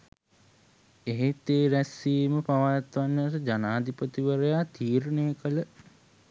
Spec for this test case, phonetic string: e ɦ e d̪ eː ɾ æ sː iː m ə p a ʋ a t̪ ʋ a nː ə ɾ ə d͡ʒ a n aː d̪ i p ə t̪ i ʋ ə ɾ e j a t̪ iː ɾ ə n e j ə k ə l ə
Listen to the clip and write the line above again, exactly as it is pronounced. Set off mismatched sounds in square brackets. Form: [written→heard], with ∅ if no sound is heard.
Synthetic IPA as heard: e ɦ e [d̪→t̪] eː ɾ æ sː iː m ə p a ʋ a t̪ ʋ a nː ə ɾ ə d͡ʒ a n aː d̪ i p ə t̪ i ʋ ə ɾ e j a t̪ iː ɾ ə n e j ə k ə l ə